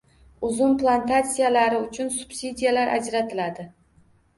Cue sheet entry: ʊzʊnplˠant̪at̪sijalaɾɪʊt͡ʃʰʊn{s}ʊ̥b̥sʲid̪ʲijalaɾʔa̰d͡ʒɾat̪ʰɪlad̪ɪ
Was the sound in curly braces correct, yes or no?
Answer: yes